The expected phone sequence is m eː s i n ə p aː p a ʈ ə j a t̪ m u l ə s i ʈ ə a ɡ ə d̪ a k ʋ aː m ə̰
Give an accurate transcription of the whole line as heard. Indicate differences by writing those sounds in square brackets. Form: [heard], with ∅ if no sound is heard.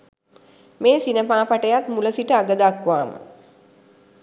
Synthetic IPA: m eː s i n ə p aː p a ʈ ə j a t̪ m u l ə s i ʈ ə a ɡ ə d̪ a k ʋ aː m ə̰